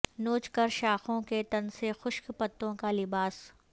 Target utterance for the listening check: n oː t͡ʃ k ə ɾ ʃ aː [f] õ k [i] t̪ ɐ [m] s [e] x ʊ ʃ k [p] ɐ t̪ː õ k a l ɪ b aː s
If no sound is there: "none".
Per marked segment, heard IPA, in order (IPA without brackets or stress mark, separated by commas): x, e, n, e, p